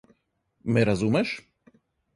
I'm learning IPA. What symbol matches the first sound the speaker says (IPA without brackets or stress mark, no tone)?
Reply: m